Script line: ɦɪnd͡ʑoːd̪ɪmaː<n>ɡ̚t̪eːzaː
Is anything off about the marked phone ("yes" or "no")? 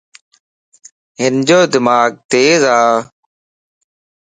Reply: yes